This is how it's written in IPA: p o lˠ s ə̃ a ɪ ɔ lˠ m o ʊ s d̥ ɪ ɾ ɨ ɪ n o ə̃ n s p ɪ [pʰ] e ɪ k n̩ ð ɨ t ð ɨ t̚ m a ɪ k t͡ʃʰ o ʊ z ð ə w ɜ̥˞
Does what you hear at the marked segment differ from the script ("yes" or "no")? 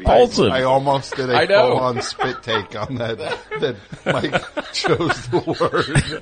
yes